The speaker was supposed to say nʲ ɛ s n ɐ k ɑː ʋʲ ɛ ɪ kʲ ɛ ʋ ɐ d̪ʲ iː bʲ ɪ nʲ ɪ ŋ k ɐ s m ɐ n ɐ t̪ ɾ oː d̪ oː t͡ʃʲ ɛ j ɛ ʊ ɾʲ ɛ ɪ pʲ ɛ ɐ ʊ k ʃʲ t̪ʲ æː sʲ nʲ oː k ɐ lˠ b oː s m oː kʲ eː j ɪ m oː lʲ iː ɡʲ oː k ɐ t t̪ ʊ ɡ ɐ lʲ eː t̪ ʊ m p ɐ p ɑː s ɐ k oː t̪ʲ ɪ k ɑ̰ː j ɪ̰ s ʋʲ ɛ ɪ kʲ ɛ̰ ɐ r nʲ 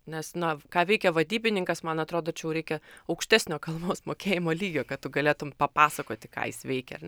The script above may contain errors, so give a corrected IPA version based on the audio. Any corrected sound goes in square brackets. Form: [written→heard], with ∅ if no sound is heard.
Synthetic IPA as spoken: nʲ ɛ s n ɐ k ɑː ʋʲ ɛ ɪ kʲ ɛ ʋ ɐ d̪ʲ iː bʲ ɪ nʲ ɪ ŋ k ɐ s m ɐ n ɐ t̪ ɾ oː d̪ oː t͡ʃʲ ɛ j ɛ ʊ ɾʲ ɛ ɪ [pʲ→kʲ] ɛ ɐ ʊ k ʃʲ t̪ʲ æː sʲ nʲ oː k ɐ lˠ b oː s m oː kʲ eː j ɪ m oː lʲ iː ɡʲ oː k ɐ t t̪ ʊ ɡ ɐ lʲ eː t̪ ʊ m p ɐ p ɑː s ɐ k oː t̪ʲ ɪ k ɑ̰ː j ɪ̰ s ʋʲ ɛ ɪ kʲ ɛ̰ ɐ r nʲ